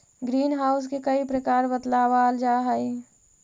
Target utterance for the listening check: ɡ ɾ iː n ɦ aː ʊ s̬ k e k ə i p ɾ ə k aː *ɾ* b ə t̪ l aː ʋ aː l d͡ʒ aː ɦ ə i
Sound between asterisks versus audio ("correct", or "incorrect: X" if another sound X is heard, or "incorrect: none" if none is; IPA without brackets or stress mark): correct